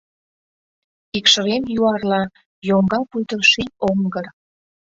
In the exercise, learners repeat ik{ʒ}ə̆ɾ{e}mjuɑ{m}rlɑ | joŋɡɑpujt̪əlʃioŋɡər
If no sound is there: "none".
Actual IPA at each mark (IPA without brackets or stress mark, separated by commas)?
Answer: ʃ, e, none